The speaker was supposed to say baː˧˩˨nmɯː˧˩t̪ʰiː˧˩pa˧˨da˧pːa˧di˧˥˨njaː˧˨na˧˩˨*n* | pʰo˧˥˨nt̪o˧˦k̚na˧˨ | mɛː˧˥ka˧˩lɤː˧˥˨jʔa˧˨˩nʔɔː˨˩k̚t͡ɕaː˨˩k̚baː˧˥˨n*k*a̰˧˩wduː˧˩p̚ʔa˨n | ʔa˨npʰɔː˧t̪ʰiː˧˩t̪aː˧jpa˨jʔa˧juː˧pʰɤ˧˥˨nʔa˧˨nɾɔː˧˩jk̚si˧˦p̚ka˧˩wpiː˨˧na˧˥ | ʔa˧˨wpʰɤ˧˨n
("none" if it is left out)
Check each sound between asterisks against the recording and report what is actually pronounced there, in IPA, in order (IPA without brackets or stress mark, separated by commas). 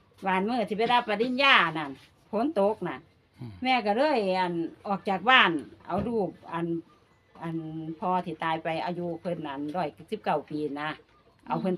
n, ʔ